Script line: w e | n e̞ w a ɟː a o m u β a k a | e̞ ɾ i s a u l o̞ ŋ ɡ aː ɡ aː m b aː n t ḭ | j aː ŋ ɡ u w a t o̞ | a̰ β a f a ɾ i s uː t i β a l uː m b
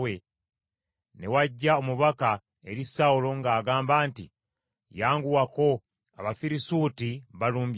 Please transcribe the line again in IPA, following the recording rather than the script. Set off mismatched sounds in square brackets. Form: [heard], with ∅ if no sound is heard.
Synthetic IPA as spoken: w e | n e̞ w a ɟː a o m u β a k a | e̞ ɾ i s a u l o̞ ŋ ɡ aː ɡ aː m b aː n t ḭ | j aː ŋ ɡ u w a [k] o̞ | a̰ β a f [i] ɾ i s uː t i β a l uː m b